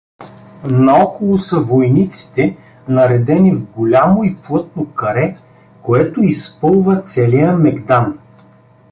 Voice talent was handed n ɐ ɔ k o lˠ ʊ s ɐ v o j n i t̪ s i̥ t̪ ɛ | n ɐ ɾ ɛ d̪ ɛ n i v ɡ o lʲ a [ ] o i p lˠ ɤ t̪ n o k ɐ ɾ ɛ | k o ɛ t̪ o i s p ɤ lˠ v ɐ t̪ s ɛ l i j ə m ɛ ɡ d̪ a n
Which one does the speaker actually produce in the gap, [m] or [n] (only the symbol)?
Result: m